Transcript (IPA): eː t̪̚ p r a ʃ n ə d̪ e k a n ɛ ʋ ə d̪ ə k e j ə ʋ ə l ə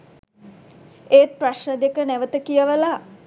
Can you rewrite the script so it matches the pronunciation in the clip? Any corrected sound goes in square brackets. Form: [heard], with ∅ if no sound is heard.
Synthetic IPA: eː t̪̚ p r a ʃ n ə d̪ e k [ə] n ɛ ʋ ə [t̪] ə k [i] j ə ʋ ə l [a]